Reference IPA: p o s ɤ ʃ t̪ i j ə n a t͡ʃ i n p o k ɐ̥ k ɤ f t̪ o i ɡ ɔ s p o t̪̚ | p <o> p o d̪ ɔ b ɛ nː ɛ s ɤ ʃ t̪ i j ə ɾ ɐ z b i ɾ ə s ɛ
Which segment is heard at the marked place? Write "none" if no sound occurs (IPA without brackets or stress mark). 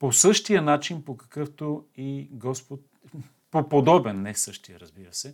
o